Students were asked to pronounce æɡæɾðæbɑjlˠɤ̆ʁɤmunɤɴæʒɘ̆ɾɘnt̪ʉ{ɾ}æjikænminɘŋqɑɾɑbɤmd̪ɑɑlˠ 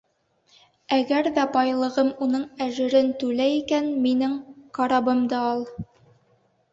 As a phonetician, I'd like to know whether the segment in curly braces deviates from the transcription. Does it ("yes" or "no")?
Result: yes